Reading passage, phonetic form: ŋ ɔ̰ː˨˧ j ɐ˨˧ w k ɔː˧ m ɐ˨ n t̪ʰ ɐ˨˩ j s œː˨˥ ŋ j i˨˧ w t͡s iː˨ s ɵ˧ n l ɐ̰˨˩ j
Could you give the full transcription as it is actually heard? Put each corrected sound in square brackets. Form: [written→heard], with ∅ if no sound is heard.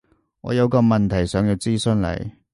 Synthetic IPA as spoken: ŋ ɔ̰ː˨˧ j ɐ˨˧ w k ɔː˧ m ɐ˨ n t̪ʰ ɐ˨˩ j s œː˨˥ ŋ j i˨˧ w t͡s [iː˨→iː˥] s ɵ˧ n l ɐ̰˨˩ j